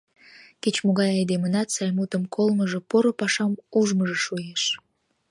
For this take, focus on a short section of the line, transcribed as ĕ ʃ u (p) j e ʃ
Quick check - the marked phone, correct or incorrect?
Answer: incorrect